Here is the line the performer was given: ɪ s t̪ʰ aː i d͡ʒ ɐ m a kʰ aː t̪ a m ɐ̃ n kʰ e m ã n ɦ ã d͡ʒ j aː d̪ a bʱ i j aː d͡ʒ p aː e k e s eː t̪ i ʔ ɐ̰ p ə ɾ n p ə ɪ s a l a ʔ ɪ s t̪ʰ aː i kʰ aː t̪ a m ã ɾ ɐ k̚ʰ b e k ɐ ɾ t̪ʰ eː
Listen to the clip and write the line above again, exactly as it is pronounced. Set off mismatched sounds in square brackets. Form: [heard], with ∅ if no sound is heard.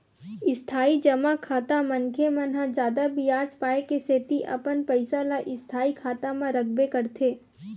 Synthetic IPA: ɪ s t̪ʰ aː i d͡ʒ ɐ m a kʰ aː t̪ a m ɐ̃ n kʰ e m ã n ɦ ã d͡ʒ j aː d̪ a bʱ i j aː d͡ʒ p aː e k e s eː t̪ i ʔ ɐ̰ p ə [∅] n p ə ɪ s a l a ʔ ɪ s t̪ʰ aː i kʰ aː t̪ a m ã ɾ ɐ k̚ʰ b e k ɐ ɾ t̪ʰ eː